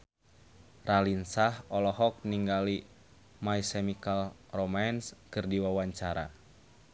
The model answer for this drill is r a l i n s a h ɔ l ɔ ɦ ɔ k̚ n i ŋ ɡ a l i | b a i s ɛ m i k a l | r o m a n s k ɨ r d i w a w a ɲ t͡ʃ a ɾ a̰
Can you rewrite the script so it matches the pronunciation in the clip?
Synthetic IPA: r a l i n s a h ɔ l ɔ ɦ ɔ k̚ n i ŋ ɡ a l i | m a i s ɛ m i k a l | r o m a n s k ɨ r d i w a w a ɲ t͡ʃ a ɾ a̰